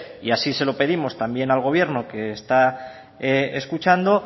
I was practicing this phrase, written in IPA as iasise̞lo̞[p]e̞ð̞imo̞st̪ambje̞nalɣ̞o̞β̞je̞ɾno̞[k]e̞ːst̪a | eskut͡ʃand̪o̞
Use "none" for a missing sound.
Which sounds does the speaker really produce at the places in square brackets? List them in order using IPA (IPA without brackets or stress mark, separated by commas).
p, k